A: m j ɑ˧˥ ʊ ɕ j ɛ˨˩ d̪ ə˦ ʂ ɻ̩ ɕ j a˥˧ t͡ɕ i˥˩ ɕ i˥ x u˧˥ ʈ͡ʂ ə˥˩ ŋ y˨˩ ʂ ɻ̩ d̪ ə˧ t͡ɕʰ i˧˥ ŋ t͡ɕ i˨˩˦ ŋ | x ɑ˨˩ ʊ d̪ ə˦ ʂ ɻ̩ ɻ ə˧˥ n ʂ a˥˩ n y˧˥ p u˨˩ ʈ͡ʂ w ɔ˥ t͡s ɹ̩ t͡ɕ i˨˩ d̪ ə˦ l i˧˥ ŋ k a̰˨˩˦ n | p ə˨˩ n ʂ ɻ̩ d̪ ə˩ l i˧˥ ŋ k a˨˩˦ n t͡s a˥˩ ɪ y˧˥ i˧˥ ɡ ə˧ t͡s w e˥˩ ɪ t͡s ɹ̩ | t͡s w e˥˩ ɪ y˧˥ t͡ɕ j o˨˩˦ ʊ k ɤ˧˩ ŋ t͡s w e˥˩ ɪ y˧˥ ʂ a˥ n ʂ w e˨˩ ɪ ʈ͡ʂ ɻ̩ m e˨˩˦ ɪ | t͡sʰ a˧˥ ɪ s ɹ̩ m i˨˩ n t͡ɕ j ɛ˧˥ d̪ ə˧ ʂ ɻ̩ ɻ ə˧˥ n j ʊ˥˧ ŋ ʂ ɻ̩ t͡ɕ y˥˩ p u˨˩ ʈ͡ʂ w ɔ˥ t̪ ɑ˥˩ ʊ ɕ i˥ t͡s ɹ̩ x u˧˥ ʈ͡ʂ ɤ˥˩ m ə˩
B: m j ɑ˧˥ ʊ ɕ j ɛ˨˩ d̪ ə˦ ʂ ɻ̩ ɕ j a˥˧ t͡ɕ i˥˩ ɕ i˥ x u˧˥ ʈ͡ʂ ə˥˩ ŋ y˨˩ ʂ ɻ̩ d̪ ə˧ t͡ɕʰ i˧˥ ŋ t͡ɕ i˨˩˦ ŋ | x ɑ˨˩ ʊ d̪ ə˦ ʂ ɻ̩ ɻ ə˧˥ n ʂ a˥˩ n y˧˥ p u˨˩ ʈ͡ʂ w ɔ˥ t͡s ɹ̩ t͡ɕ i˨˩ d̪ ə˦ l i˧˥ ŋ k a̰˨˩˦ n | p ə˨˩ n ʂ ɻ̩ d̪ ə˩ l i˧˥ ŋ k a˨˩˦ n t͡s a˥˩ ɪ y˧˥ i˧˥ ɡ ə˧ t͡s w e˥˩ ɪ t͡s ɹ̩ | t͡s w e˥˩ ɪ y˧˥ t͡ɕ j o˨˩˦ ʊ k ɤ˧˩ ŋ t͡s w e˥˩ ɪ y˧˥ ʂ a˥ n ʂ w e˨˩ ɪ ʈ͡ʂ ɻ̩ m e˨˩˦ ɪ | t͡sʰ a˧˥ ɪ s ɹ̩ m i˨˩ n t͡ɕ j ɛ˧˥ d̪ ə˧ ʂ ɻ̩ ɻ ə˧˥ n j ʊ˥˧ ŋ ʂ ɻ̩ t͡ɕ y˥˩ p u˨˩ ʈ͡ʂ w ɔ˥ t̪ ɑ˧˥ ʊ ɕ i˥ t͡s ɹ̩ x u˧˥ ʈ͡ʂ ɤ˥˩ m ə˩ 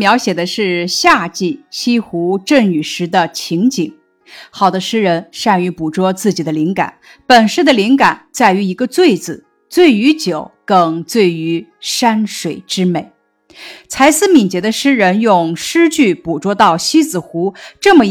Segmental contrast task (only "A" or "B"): A